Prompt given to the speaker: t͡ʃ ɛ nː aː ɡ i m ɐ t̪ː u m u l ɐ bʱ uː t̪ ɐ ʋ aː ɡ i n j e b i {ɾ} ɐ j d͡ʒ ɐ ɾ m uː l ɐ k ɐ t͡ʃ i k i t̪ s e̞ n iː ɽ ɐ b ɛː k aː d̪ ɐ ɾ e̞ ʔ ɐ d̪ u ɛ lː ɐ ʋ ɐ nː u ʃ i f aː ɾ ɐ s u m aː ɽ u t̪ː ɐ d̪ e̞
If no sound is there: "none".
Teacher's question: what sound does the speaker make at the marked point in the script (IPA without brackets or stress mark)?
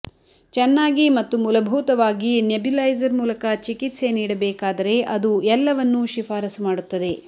l